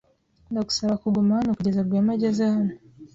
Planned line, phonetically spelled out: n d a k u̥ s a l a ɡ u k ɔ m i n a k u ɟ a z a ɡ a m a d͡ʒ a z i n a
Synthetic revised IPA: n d a k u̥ s a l a k u ɡ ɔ m a n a k u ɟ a z a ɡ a m a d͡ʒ a z a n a